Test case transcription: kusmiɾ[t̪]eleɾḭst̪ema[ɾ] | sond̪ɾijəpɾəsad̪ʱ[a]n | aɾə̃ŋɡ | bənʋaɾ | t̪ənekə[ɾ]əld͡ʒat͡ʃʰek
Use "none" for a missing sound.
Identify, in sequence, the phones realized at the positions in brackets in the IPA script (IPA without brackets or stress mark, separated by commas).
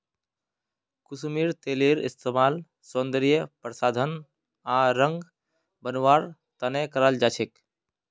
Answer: t̪, l, ə, ɾ